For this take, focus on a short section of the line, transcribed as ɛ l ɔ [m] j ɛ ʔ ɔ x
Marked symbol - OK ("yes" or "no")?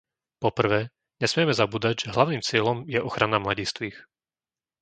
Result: yes